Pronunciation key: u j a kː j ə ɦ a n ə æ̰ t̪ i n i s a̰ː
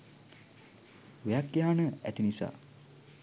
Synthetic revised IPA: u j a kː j a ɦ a n ə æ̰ t̪ i n i s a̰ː